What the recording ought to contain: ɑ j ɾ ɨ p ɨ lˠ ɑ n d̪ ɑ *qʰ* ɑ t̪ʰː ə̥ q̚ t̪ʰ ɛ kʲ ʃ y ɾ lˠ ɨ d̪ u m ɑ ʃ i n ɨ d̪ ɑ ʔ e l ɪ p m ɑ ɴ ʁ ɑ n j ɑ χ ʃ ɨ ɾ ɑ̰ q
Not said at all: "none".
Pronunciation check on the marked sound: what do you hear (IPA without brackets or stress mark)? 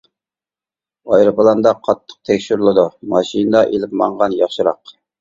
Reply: qʰ